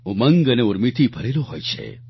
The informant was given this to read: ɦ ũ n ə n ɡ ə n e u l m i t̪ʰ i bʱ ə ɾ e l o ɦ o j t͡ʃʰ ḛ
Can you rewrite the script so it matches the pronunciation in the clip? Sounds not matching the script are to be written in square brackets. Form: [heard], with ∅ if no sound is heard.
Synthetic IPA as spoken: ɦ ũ [m] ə [ŋ] ɡ ə n e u [ɾ] m i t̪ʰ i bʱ ə ɾ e l o ɦ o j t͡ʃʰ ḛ